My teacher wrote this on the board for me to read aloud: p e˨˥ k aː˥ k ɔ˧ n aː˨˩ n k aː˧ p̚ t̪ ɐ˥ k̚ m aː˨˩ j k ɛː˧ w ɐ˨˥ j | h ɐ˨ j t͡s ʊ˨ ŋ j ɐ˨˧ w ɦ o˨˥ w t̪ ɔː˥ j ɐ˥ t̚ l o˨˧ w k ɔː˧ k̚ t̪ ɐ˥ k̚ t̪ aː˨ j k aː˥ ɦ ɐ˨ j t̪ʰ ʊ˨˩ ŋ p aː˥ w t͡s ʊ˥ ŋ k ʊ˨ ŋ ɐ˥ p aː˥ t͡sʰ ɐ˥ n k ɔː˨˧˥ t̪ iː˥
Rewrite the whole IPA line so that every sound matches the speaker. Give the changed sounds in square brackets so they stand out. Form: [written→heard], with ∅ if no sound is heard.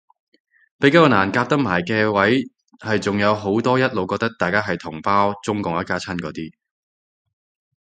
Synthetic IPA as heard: p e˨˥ k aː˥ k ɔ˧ n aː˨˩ n k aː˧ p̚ t̪ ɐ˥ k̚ m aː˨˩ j k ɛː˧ w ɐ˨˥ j | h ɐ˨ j t͡s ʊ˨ ŋ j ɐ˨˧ w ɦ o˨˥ w t̪ ɔː˥ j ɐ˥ t̚ l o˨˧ w k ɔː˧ k̚ t̪ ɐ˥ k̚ t̪ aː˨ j k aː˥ ɦ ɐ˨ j t̪ʰ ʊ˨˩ ŋ p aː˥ w t͡s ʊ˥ ŋ k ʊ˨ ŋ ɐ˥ [p→k] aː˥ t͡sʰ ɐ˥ n k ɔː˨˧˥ t̪ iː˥